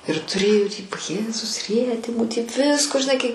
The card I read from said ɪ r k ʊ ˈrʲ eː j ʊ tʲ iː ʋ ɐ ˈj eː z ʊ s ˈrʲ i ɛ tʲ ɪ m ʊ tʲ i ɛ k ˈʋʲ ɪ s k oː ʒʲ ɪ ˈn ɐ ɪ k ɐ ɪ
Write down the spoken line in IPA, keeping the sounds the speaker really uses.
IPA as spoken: ɪ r t ʊ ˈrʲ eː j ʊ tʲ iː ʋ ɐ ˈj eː z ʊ s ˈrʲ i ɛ tʲ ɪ m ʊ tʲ i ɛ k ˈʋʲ ɪ s k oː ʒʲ ɪ ˈn ɐ ɪ k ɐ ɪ